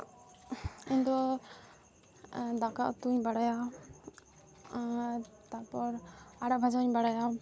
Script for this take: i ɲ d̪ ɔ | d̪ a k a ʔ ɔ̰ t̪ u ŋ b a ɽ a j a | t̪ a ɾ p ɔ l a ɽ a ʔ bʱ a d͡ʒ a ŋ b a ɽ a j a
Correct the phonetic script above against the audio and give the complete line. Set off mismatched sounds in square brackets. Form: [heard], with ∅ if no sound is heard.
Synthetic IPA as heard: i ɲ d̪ ɔ | d̪ a k a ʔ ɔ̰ t̪ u [ɲ] b a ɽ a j a | t̪ a ɾ p ɔ [ɾ] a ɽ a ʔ bʱ a d͡ʒ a [ɲ] b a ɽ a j a